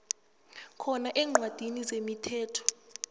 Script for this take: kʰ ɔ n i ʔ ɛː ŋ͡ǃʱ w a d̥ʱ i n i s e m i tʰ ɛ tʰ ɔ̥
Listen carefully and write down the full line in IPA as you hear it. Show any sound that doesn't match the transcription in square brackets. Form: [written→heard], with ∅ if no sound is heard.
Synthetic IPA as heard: kʰ ɔ n [i→a] ʔ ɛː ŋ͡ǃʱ w a d̥ʱ i n i [s→z] e m i tʰ [ɛ→ɛː] tʰ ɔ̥